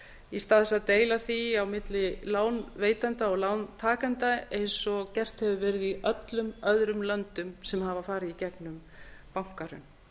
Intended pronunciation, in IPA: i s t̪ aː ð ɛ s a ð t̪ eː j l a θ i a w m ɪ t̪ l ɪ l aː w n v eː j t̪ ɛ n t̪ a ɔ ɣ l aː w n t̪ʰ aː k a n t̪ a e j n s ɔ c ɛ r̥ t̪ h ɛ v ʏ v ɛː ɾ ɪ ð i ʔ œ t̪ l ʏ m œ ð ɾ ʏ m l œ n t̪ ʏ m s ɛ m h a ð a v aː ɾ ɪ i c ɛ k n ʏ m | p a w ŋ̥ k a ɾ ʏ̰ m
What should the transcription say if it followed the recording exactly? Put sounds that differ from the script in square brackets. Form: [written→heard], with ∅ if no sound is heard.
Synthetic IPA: i s t̪ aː ð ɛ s a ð t̪ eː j l a θ i a w m ɪ t̪ l ɪ l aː w n v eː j t̪ [ɛ→a] n t̪ a ɔ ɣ l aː w n t̪ʰ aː k a n t̪ a e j n s ɔ c ɛ r̥ t̪ h ɛ v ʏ v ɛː ɾ ɪ ð i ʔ œ t̪ l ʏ m œ ð ɾ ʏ m l œ n t̪ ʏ m s ɛ m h a [ð→v] a [v→f] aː ɾ ɪ i c ɛ k n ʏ m | p a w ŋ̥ k a ɾ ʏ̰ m